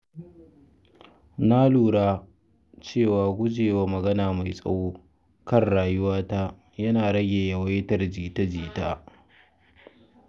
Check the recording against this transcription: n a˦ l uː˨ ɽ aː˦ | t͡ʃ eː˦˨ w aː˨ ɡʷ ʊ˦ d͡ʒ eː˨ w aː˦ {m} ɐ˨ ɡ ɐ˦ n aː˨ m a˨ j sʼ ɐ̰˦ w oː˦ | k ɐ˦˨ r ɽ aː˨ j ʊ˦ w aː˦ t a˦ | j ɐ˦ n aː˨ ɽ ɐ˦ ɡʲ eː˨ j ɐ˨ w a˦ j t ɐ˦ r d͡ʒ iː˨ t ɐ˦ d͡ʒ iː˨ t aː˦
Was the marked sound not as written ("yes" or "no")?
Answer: no